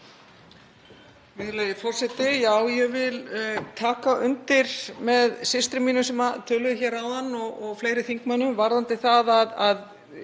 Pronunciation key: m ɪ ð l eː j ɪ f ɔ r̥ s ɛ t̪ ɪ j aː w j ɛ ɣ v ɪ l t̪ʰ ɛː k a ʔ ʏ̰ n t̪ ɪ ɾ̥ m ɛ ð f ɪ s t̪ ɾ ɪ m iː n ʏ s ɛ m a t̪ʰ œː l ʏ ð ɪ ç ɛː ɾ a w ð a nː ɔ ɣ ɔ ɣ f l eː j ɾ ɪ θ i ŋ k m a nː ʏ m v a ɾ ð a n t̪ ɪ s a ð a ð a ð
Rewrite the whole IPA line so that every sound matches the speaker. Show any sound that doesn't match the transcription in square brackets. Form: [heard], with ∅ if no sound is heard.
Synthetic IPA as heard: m ɪ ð l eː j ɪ f ɔ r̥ s ɛ t̪ ɪ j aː w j ɛ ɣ v ɪ l t̪ʰ [aː] k a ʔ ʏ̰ n t̪ ɪ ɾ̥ m ɛ ð [s] ɪ s t̪ ɾ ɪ m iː n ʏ s ɛ m a t̪ʰ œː l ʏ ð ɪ ç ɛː ɾ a w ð a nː ɔ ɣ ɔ ɣ f l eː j ɾ ɪ θ i ŋ k m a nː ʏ m v a ɾ ð a n t̪ ɪ [θ] a ð a ð a ð